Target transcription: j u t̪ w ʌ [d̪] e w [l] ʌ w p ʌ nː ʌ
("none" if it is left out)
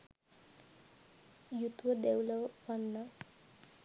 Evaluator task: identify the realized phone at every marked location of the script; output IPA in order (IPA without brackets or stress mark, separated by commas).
d̪, l